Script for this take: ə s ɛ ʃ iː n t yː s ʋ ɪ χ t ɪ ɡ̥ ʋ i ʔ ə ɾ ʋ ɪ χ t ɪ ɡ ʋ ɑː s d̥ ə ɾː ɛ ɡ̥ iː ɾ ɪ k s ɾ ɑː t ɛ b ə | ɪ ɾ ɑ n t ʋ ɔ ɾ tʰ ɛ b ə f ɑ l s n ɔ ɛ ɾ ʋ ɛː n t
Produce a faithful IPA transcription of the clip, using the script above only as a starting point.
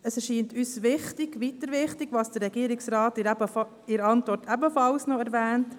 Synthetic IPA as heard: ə s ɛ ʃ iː n t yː s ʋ ɪ χ t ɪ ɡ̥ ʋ i t ə ɾ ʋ ɪ χ t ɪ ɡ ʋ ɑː s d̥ ə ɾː ɛ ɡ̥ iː ɾ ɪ k s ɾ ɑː t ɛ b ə | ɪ ɾ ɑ n t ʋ ɔ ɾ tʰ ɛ b ə f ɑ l s n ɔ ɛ ɾ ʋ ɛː n t

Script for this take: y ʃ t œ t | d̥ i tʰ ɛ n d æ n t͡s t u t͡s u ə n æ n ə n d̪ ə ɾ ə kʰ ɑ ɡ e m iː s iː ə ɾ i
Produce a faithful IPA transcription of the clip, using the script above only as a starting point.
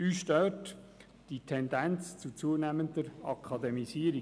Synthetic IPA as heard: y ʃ t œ t | d̥ i tʰ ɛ n d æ n t͡s t͡s u t͡s u ə n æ m ə n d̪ ə ɾ ɑ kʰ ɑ d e m i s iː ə ɾ i

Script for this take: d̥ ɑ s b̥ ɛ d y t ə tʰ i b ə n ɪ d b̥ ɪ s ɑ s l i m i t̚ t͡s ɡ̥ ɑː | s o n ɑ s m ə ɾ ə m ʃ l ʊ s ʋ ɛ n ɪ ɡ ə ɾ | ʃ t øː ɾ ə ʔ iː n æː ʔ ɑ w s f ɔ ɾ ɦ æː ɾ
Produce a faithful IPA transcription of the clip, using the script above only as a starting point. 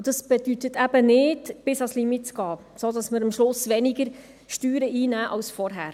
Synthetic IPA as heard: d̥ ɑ s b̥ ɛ d y t ə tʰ æ b ə n ɪ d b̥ ɪ s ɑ s l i m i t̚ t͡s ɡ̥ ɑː | s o d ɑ s m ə ɾ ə m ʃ l ʊ s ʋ ɛ n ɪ ɡ ə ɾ | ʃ t yː ɾ ə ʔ iː n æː ʔ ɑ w s f ɔ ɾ ɦ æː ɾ

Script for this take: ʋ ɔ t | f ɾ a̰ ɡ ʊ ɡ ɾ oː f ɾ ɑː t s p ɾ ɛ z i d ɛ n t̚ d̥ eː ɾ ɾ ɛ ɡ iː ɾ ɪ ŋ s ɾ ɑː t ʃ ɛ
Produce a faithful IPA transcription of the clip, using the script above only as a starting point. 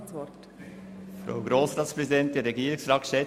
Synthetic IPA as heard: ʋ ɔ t | f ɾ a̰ ʊ ɡ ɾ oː s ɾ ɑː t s p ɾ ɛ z i d ɛ n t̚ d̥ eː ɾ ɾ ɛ ɡ iː ɾ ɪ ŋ s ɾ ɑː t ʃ ɛ

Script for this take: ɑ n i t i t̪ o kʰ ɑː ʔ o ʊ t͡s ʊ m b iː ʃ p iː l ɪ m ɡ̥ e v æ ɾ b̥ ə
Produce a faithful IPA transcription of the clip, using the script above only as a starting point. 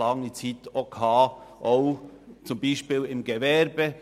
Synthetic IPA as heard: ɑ ŋ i t͡s i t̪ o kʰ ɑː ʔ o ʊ t͡s ʊ m b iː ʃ p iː l ɪ m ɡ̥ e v ɛ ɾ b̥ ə

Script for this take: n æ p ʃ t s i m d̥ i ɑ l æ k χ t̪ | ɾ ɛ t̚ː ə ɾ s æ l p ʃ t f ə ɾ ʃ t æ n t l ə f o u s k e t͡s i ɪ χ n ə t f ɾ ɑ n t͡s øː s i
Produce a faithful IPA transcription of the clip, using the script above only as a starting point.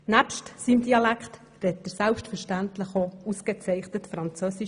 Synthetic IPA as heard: n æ p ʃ t s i m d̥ i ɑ l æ k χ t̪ | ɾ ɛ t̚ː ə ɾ s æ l p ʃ t f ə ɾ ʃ t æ n t l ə χ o u s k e t͡s ɛ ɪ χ n ə t f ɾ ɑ n t͡s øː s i

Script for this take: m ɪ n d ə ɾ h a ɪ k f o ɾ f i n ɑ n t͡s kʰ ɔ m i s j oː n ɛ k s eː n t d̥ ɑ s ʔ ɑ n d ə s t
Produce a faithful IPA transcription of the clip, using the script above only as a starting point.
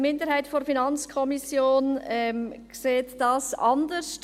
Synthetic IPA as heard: m ɪ n d ə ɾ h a ɪ t f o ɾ f i n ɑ n t͡s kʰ ɔ m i s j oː n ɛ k s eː t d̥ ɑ s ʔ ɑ n d ə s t

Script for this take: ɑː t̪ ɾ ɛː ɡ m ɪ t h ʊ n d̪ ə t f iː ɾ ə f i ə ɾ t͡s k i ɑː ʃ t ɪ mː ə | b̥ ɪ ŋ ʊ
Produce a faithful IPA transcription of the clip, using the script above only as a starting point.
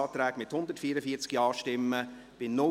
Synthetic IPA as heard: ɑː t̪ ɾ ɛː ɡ m ɪ t h ʊ n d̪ ə t f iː ɾ ə f i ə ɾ t͡s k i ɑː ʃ t ɪ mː ə | b̥ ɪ n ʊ

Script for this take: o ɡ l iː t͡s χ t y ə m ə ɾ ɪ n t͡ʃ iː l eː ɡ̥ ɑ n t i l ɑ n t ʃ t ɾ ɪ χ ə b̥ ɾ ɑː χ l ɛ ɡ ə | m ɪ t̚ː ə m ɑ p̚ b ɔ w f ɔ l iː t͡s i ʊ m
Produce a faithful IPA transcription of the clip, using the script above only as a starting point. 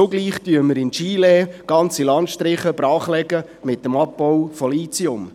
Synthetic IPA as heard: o ɡ l iː χ t y ə m ə ɾ ɪ n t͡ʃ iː l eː ɡ̥ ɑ n t͡s i l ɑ n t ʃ t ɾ ɪ χ ə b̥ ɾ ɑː χ l ɛ ɡ ə | m ɪ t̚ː ə m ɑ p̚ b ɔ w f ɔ l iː t͡s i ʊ m

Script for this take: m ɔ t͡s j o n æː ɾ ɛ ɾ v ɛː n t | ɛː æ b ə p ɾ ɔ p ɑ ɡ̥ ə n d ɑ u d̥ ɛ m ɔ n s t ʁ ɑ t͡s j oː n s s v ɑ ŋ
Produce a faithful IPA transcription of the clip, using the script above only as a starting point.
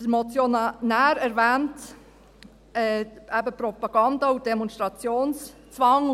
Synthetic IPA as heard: m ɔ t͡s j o n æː ɾ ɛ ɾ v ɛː n t | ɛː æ b ə p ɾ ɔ p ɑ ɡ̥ ɑ n d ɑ u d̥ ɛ m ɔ n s t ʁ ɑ t͡s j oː n s t͡s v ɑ ŋ

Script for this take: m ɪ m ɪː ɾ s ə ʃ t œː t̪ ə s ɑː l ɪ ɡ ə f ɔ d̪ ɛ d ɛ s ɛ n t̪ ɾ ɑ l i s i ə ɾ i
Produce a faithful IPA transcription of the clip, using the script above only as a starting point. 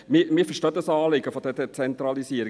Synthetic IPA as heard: m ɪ m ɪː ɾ f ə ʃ t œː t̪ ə s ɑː l ɪ ɡ ə f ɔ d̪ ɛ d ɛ t͡s ɛ n t̪ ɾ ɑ l i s i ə ɾ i

